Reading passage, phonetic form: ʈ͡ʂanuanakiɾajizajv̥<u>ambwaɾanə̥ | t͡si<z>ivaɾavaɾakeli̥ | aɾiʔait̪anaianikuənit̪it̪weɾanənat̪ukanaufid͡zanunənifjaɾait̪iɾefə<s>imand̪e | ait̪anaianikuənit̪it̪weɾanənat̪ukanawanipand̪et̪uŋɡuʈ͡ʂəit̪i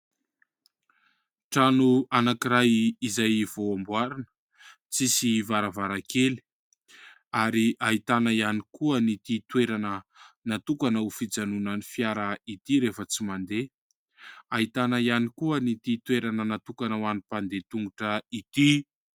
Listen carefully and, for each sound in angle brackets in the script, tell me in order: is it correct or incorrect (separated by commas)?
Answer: incorrect, incorrect, incorrect